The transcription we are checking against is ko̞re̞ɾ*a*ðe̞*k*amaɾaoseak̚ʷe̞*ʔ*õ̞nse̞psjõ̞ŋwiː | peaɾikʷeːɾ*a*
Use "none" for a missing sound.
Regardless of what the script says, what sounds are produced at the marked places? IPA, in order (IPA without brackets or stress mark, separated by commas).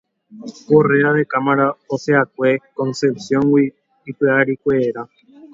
a, k, k, a